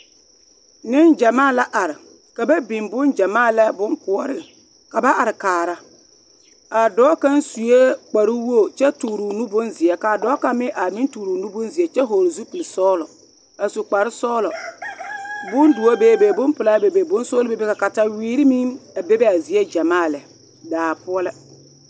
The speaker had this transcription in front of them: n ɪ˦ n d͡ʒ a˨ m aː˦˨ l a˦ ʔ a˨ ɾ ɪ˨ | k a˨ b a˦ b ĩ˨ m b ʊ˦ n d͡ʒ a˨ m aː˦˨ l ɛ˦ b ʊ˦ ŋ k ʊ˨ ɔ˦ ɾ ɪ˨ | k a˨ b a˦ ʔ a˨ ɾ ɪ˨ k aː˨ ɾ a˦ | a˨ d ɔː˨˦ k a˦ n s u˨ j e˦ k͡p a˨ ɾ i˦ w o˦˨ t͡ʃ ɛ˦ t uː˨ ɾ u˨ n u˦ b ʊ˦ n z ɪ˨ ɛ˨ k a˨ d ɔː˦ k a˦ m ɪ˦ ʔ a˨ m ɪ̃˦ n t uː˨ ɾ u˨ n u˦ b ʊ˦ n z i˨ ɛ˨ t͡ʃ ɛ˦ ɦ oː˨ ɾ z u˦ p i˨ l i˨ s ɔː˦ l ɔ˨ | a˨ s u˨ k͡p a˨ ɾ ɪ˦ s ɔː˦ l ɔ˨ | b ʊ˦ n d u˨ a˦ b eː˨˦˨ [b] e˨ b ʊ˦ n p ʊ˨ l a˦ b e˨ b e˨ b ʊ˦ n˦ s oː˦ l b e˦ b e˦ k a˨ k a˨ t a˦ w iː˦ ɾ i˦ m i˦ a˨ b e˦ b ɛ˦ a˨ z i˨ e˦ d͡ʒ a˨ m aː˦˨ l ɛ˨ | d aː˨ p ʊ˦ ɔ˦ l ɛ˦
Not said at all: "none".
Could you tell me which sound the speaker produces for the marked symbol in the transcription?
b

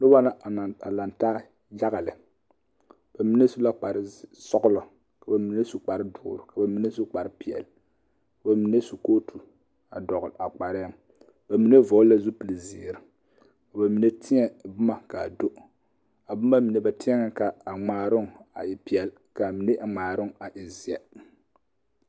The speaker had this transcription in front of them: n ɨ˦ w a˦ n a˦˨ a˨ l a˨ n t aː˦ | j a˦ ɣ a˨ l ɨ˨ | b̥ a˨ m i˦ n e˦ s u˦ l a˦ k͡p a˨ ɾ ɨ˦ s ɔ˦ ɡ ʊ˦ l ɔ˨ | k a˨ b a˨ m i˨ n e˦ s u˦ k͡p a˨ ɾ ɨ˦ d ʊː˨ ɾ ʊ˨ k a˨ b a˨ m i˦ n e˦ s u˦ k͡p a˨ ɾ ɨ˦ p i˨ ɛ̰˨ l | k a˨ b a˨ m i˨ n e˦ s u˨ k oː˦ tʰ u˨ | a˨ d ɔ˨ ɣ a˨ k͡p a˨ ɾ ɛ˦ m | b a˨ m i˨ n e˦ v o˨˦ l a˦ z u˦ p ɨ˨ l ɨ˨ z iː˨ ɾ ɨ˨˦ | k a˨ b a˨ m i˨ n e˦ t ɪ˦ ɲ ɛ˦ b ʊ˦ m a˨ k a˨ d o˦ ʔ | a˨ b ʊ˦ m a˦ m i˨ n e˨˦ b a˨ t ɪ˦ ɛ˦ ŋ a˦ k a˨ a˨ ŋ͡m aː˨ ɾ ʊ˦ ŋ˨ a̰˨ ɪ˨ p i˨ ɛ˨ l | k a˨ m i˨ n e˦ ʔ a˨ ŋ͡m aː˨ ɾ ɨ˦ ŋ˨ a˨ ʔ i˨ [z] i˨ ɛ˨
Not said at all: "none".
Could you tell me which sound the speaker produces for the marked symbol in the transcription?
z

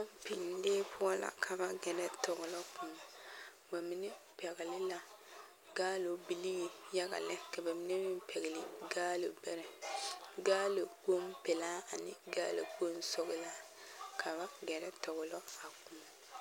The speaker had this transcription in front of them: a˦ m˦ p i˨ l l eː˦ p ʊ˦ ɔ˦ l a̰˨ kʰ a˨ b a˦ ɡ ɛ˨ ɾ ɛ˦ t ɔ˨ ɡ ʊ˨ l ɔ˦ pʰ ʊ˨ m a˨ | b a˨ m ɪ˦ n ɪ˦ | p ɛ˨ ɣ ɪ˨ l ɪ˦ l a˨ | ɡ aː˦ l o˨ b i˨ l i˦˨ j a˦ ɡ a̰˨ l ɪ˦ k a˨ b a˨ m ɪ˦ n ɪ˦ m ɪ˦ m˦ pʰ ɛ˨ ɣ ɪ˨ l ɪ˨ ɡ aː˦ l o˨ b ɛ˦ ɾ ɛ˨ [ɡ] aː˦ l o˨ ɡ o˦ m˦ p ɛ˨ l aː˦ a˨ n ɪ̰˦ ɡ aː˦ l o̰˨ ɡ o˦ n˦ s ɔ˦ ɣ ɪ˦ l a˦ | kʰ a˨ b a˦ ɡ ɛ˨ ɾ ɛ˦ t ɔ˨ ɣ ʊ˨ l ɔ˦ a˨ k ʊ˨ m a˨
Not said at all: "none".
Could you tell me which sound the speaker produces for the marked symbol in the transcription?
ɡ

